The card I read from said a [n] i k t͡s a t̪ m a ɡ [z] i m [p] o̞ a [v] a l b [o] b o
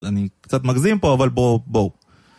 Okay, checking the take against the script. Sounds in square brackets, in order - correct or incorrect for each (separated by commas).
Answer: correct, correct, correct, correct, correct